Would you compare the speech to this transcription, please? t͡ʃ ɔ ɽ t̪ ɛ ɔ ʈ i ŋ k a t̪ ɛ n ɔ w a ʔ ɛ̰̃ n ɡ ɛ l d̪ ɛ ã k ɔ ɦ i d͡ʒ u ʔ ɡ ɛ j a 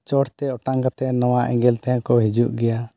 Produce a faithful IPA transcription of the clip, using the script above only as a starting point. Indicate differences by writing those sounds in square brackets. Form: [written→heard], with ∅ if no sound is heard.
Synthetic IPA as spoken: t͡ʃ ɔ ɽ t̪ ɛ ɔ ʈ [i→a] ŋ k a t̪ ɛ n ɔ w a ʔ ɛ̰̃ [n→ŋ] ɡ ɛ l [d̪→t̪] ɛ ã k ɔ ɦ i d͡ʒ u ʔ ɡ ɛ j a